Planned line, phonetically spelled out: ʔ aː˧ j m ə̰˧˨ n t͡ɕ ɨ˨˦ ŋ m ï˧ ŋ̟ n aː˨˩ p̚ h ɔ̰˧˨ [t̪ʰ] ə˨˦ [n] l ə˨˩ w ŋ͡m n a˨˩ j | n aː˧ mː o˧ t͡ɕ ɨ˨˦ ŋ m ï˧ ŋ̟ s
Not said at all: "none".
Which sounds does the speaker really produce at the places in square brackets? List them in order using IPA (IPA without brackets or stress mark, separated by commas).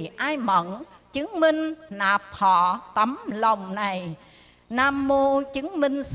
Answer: t̪, m